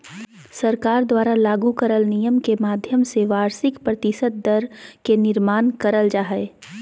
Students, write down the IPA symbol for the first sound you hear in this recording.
s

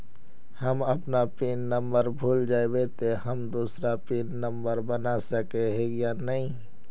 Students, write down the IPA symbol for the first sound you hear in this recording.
h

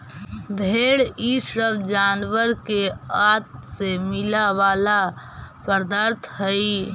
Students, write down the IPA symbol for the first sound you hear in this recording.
bʱ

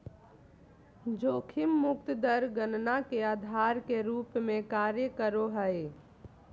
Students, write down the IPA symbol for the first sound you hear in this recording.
d͡ʒ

